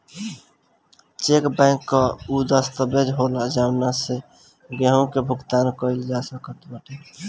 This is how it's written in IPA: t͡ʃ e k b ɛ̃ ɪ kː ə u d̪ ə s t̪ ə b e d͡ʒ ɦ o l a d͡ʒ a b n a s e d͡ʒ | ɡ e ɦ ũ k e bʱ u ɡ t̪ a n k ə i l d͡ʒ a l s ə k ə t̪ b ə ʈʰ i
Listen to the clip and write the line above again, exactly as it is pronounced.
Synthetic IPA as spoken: t͡ʃ e k b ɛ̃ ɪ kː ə u d̪ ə s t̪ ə b e d͡ʒ ɦ o l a d͡ʒ a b n a s e | ɡ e ɦ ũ k e bʱ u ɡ t̪ a n k ə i l d͡ʒ a s ə k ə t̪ b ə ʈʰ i